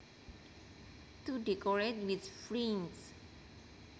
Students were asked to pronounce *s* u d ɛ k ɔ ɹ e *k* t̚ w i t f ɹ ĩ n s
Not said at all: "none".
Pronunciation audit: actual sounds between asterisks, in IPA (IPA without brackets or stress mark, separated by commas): t, none